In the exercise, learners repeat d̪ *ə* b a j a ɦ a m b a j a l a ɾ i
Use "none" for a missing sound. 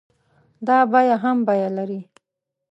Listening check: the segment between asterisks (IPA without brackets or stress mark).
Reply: ɑ